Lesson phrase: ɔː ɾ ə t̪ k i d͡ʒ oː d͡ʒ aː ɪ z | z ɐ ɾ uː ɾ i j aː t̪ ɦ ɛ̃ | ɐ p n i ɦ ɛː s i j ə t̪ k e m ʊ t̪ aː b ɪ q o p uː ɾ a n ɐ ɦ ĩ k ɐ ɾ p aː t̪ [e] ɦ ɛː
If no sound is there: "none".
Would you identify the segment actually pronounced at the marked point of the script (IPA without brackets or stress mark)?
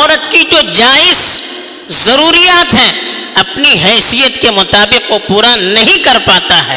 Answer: a